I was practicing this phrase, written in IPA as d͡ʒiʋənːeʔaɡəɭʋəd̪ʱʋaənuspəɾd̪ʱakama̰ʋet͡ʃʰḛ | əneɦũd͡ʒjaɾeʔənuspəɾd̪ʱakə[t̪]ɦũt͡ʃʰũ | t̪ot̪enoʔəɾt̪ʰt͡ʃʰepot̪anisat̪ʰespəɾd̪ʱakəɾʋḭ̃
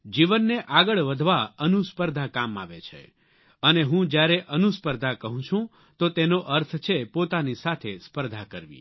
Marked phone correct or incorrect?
incorrect